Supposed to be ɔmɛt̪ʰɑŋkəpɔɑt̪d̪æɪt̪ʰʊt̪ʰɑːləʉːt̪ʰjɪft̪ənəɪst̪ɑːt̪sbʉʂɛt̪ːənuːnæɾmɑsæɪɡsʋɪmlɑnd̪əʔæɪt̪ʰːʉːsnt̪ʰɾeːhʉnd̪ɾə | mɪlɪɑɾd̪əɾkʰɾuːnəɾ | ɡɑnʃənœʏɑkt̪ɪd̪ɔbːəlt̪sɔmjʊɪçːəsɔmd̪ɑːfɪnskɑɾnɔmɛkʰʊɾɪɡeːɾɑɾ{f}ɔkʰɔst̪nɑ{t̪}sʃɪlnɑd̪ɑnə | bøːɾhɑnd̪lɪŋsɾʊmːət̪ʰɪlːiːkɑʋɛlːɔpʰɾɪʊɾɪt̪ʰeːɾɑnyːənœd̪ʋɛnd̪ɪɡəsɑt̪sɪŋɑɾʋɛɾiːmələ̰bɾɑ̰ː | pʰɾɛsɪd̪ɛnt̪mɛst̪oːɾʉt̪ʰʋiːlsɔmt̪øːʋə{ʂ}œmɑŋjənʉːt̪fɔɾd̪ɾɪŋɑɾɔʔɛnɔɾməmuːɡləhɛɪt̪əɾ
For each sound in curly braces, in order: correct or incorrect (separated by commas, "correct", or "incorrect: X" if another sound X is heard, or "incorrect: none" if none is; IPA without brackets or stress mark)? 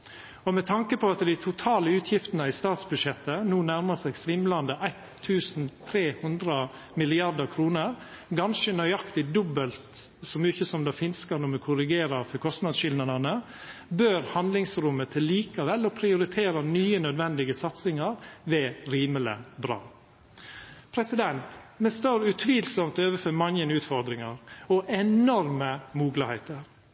correct, incorrect: d̪, incorrect: f